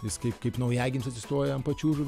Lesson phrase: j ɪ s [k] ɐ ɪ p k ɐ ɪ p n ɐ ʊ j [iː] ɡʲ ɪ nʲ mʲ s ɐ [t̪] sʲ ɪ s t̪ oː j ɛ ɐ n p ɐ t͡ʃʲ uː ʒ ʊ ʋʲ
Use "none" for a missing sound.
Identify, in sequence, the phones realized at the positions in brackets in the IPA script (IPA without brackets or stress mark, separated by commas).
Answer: k, æː, t̪